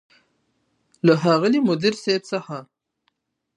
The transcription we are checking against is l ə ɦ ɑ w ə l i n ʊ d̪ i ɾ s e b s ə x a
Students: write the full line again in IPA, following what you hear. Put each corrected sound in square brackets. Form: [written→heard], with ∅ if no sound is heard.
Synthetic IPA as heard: l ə ɦ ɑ [w→ɣ] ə l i [n→m] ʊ d̪ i ɾ s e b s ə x a